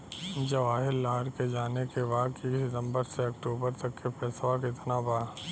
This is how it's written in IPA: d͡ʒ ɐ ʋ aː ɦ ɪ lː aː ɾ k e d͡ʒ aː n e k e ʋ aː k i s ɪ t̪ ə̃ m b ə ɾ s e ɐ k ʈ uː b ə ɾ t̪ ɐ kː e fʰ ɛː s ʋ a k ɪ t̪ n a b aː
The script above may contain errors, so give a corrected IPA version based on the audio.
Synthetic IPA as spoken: d͡ʒ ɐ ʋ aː ɦ ɪ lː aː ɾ k e d͡ʒ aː n e k e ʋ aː k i s ɪ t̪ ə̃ m b ə ɾ s e ɐ k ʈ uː b ə ɾ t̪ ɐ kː e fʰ ɛː s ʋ a k ɪ t̪ n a b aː